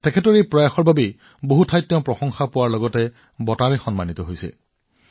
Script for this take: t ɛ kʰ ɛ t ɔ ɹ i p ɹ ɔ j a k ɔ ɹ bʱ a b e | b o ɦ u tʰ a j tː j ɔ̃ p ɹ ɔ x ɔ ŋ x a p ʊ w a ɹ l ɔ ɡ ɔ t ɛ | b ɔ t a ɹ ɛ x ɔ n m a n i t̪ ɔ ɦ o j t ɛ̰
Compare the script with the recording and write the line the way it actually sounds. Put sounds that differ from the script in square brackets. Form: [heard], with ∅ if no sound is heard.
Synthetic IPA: t ɛ kʰ ɛ t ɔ ɹ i p ɹ ɔ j a [x] ɔ ɹ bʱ a b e | b o ɦ u tʰ a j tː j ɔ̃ p ɹ ɔ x ɔ ŋ x a p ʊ w a ɹ l ɔ ɡ ɔ t ɛ | b ɔ t a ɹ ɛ x ɔ n m a n i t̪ ɔ ɦ o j [s] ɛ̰